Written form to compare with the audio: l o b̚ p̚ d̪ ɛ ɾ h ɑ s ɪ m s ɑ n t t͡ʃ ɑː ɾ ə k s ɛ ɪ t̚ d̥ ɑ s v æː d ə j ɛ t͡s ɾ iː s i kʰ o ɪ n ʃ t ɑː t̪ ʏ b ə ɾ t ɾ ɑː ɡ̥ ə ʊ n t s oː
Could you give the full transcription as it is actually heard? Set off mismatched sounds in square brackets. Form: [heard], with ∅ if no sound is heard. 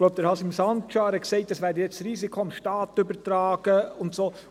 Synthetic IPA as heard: l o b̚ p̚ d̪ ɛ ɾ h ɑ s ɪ m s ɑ n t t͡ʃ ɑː ɾ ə k s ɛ ɪ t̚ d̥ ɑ s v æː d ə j ɛ t͡s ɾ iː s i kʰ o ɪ [m] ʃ t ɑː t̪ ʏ b ə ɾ t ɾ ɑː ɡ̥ ə ʊ n t s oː